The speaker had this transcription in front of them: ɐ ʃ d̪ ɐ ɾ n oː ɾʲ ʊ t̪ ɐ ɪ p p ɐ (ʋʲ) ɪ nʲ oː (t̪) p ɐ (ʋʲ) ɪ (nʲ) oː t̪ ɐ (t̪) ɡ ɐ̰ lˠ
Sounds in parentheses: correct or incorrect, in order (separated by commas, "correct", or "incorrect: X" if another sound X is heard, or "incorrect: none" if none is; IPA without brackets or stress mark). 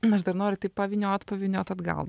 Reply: correct, correct, correct, correct, incorrect: d̪